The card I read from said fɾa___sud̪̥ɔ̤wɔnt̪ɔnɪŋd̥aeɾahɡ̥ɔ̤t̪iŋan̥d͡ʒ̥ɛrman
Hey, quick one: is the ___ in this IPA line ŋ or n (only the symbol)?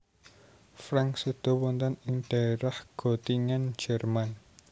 ŋ